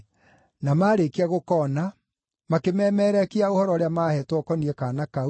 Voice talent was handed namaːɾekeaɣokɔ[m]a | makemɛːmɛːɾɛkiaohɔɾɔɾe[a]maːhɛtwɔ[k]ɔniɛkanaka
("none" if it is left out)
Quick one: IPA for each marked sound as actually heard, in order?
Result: n, a, k

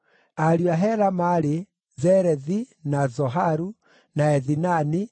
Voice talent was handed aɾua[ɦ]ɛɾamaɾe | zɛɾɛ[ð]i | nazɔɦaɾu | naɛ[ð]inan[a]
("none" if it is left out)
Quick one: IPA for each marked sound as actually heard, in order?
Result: ɦ, ð, ð, i

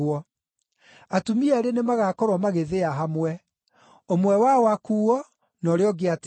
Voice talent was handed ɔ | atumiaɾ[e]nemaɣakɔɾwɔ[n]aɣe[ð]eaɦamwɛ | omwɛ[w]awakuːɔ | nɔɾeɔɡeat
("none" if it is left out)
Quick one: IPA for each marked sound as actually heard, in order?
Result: e, m, ð, w

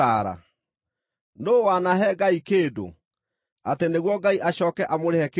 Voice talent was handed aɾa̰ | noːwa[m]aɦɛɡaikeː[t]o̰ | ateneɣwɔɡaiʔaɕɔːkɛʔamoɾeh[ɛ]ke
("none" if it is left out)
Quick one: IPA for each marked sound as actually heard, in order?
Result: n, d, ɛ

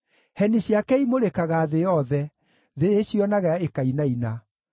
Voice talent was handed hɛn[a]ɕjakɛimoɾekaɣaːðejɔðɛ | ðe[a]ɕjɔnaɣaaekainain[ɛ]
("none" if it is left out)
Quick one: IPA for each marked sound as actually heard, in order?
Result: i, e, a

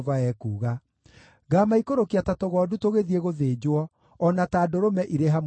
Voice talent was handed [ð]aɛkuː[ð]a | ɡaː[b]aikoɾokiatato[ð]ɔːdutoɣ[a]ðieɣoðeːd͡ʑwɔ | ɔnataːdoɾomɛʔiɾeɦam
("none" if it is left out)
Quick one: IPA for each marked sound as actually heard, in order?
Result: v, ɣ, m, ɣ, e

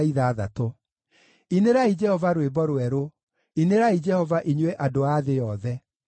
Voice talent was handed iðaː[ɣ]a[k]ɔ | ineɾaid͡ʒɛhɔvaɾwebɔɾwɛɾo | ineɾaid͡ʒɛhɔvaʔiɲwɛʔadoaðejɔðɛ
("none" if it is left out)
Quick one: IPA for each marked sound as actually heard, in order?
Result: ð, t

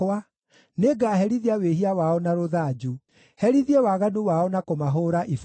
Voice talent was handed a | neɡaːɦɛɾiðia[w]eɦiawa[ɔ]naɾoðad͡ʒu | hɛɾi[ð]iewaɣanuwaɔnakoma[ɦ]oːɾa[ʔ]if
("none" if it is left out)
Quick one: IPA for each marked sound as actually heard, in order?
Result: w, ɔ, ð, ɦ, ʔ

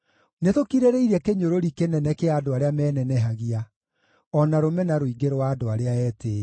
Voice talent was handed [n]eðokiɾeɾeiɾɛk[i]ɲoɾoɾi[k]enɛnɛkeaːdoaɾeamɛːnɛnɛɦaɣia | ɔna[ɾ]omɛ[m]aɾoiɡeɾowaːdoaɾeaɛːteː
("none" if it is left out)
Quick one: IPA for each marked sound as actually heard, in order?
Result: n, e, k, ɾ, n

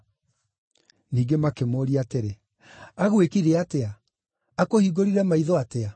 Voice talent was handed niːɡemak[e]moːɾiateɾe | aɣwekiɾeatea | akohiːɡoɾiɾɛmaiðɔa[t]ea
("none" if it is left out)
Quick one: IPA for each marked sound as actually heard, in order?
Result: e, t

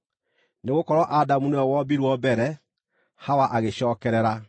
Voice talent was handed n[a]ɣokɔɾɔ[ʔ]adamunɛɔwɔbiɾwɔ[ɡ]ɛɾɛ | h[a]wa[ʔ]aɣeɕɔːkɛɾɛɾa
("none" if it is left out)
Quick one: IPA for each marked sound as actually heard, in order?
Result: e, ʔ, b, a, ʔ

